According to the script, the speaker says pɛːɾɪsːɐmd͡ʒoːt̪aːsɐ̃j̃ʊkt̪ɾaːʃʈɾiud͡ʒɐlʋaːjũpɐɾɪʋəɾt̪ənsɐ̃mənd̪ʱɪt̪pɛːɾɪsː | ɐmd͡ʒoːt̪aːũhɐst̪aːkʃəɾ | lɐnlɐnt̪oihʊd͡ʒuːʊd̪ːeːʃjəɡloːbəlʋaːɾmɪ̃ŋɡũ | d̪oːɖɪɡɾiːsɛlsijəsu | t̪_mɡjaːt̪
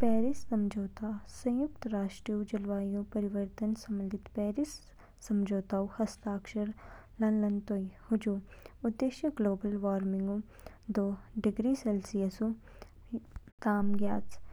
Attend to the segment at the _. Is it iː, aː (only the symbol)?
aː